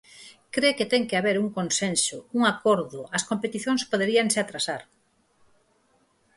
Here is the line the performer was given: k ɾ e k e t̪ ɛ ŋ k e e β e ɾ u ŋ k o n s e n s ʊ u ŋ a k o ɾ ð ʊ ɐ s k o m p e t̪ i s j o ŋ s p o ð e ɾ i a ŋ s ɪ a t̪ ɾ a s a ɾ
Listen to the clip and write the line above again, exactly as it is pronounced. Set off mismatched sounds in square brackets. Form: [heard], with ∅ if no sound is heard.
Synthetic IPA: k ɾ e k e t̪ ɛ ŋ k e [a] β e ɾ u ŋ k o n s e n s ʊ u ŋ a k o ɾ ð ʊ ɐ s k o m p e t̪ i [θ] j o ŋ s p o ð e ɾ i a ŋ s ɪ a t̪ ɾ a s a ɾ

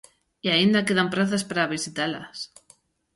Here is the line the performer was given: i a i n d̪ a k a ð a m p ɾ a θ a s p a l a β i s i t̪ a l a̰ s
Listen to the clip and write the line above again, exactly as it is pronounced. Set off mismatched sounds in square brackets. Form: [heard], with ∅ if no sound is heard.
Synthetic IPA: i a i n d̪ a k [e] ð a m p ɾ a θ a s p a [ɾ] a β i s i t̪ a l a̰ s

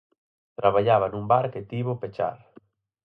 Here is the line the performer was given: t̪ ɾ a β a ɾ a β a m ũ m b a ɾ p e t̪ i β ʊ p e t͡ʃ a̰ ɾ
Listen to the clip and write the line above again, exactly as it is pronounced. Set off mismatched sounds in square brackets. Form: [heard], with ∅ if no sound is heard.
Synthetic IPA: t̪ ɾ a β a [ʎ] a β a [n] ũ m b a ɾ [k] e t̪ i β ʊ p e t͡ʃ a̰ ɾ

